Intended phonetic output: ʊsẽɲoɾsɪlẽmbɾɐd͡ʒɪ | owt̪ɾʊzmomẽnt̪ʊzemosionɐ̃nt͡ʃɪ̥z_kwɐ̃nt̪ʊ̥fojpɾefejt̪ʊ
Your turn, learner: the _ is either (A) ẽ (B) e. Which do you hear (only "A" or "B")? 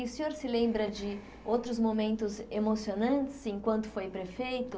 A